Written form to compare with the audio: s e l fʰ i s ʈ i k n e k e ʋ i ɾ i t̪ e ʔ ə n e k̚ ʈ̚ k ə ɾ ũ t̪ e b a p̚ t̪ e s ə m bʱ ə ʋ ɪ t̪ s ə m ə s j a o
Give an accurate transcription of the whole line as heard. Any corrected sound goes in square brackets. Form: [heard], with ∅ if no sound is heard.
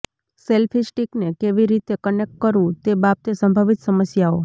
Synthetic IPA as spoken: s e l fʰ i s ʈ i k n e k e ʋ i ɾ i t̪ e [k] ə n e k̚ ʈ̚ k ə ɾ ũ t̪ e b a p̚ t̪ e s ə m bʱ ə ʋ [i] t̪ s ə m ə s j a o